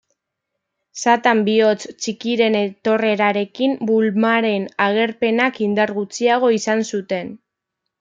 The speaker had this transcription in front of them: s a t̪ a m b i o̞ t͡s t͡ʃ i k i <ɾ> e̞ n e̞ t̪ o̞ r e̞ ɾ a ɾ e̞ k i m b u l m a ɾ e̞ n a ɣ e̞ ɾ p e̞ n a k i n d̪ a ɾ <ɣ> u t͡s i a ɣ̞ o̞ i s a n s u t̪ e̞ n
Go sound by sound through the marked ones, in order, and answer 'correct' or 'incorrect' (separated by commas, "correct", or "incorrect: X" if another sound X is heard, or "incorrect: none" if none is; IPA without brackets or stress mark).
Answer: correct, correct